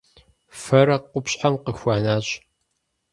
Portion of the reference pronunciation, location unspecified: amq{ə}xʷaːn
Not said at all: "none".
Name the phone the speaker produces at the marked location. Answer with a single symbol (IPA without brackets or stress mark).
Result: ə